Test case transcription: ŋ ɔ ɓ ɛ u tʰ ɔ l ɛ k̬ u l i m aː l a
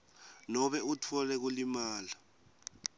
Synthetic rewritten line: n ɔ ɓ ɛ u tʰ ɔ l ɛ k̬ u l i m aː l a